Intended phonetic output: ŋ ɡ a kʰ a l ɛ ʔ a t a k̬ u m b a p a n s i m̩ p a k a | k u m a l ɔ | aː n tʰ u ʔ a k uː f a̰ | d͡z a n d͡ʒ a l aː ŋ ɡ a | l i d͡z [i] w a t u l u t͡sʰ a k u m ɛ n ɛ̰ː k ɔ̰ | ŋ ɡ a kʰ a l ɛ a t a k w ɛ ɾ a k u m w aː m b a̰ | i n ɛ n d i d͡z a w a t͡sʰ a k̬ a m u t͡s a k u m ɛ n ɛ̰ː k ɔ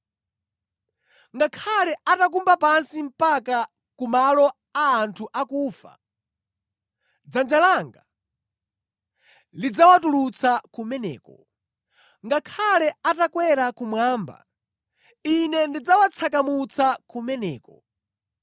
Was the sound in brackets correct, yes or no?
no